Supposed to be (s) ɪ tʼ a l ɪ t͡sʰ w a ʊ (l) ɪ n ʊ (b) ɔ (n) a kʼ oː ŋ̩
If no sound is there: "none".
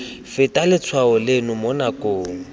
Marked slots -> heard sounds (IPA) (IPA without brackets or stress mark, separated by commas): f, l, m, n